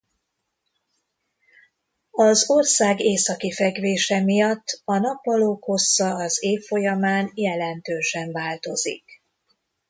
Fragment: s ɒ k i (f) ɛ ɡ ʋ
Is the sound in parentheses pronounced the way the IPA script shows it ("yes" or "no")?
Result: yes